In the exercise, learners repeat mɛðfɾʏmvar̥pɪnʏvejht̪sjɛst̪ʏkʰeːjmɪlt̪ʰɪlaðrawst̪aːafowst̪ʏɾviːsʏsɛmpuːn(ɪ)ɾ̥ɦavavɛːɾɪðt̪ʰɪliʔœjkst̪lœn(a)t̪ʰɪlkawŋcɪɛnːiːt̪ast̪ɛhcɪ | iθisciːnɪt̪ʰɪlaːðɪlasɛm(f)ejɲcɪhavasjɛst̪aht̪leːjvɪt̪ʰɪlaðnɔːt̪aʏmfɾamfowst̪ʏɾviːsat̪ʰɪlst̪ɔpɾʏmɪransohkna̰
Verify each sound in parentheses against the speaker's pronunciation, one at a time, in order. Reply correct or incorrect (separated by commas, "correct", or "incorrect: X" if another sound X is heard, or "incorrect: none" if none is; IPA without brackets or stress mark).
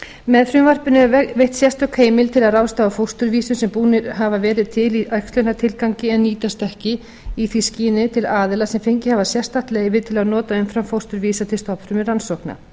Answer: correct, correct, correct